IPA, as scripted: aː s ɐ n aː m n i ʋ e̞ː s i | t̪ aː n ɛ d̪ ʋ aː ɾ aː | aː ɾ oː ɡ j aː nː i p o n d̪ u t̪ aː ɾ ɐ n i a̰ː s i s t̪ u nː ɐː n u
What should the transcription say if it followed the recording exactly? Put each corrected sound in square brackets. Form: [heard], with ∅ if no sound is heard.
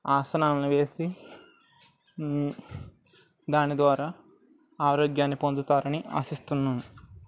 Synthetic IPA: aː s ɐ n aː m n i ʋ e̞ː s i | [d̪] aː n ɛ d̪ ʋ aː ɾ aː | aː ɾ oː ɡ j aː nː i p o n d̪ u t̪ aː ɾ ɐ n i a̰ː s i s t̪ u nː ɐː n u